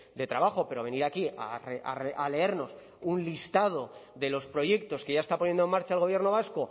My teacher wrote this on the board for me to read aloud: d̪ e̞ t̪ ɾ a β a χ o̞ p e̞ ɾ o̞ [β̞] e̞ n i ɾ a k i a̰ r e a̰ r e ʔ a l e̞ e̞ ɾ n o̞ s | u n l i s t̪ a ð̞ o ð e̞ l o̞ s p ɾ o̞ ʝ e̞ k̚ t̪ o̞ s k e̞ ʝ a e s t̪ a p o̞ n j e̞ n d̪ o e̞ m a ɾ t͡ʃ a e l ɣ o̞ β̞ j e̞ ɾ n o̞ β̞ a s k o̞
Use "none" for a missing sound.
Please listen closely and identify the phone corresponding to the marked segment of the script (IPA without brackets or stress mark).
β̞